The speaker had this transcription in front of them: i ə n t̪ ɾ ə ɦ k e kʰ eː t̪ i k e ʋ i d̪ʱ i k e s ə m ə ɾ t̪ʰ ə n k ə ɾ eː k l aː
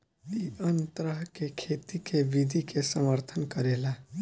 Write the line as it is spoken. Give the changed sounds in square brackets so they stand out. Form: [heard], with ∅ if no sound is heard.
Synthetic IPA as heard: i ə n t̪ ɾ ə ɦ k e kʰ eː t̪ i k e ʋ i d̪ʱ i k e s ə m ə ɾ t̪ʰ ə n k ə ɾ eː [∅] l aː

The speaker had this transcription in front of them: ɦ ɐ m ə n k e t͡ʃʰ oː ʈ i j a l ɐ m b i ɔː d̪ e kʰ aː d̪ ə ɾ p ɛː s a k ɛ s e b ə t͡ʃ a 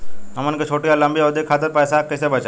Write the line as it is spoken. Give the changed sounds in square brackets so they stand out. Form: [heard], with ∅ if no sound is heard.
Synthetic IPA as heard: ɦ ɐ m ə n k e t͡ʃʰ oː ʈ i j a l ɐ m b i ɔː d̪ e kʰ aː [t̪] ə ɾ p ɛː s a k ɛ s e b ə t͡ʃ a

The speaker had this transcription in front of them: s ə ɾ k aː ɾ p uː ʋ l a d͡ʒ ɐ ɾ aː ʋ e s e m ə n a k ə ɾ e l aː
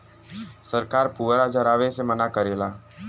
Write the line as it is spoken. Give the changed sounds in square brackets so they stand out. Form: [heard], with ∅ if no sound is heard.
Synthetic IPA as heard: s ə ɾ k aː ɾ p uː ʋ [ɾ] a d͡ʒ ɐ ɾ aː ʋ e s e m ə n a k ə ɾ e l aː

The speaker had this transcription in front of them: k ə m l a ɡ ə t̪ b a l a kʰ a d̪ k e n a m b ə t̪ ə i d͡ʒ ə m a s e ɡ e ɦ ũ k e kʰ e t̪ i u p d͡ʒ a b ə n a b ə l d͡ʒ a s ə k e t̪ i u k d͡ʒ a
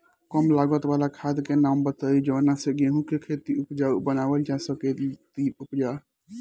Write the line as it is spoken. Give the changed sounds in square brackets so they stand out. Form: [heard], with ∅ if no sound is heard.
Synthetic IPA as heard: k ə m l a ɡ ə t̪ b a l a kʰ a d̪ k e n a m b ə t̪ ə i d͡ʒ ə [n] a s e ɡ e ɦ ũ k e kʰ e t̪ i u p d͡ʒ a b ə n a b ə l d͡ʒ a s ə k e t̪ i u [p] d͡ʒ a

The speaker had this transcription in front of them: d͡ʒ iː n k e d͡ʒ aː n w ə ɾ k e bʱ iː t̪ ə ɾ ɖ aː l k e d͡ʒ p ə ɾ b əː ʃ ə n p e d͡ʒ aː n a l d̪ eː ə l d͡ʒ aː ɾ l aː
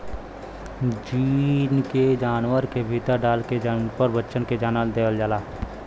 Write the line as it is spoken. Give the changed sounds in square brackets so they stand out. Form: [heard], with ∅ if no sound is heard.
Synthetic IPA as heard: d͡ʒ iː n k e d͡ʒ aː n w ə ɾ k e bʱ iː t̪ ə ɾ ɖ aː l k e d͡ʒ p ə ɾ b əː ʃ ə n [k] e d͡ʒ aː n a l d̪ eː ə l d͡ʒ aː [∅] l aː

